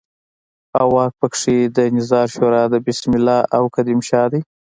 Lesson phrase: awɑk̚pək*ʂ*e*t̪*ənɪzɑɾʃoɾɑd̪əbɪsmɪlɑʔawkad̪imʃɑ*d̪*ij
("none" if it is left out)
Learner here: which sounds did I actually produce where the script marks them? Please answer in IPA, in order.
ʂ, d̪, d̪

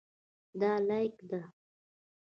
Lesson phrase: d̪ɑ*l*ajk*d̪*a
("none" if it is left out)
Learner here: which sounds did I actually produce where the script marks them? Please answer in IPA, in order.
l, d̪

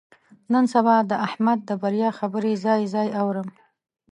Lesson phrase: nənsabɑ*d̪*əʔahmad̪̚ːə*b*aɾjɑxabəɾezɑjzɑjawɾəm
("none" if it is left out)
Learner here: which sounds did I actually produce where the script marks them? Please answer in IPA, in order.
d̪, b

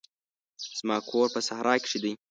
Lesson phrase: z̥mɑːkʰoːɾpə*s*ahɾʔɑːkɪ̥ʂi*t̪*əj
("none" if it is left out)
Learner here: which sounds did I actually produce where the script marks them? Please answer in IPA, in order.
s, d̪

